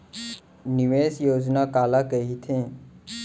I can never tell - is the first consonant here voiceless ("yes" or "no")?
no